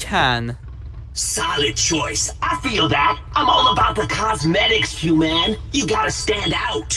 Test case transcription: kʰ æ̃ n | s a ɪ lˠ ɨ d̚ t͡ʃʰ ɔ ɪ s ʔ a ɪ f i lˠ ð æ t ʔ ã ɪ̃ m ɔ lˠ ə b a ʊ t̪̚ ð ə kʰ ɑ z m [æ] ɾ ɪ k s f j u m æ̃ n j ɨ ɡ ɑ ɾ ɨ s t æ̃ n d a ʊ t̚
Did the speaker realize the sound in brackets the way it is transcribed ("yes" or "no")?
no